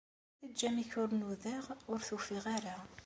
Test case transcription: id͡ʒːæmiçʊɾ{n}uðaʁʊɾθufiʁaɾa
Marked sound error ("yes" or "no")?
no